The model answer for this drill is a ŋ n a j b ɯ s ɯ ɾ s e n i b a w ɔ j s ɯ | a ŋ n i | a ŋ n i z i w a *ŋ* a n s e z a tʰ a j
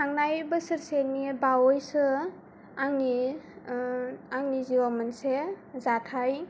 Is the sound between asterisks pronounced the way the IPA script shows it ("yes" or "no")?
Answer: no